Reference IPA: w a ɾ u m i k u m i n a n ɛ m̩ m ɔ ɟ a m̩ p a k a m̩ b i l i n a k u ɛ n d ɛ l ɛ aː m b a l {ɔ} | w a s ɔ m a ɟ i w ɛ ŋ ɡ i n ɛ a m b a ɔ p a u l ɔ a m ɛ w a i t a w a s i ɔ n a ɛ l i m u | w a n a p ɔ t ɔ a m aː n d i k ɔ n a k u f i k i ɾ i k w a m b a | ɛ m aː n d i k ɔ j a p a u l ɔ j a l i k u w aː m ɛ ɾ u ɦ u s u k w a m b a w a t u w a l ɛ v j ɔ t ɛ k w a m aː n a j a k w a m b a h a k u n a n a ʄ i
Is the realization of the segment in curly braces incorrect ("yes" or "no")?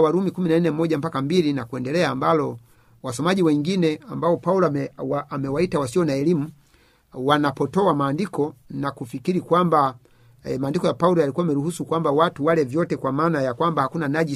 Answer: no